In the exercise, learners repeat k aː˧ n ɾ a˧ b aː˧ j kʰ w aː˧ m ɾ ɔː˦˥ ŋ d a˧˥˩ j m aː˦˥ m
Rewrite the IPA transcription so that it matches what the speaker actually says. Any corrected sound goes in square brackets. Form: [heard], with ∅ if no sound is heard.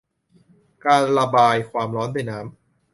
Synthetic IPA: k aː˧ n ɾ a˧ b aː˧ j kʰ w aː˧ m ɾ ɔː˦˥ [n] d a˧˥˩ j [n] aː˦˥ m